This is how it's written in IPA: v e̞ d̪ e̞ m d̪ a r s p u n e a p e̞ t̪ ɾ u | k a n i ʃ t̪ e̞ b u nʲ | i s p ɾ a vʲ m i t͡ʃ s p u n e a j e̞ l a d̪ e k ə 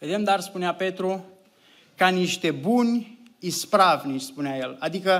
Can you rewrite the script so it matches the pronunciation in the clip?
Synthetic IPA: v e̞ d̪ e̞ m d̪ a r s p u n e a p e̞ t̪ ɾ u | k a n i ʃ t̪ e̞ b u nʲ | i s p ɾ a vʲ n i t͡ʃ s p u n e a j e̞ l a d̪ i k ə